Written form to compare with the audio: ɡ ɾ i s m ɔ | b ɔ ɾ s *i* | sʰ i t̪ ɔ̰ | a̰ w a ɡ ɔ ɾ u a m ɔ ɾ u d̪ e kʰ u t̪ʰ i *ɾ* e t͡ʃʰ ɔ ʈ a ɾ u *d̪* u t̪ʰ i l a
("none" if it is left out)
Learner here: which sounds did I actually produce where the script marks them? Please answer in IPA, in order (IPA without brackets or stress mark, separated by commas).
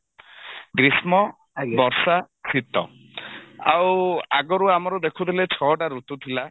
a, l, t̪